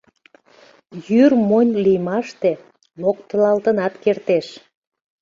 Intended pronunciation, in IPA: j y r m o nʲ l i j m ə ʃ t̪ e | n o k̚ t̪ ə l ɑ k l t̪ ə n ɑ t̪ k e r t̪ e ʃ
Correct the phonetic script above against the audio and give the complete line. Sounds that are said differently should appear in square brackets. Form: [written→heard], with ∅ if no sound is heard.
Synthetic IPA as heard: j y r m o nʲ l i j m [ə→ɑ] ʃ t̪ e | n o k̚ t̪ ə l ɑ [k→∅] l t̪ ə n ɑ t̪ k e r t̪ e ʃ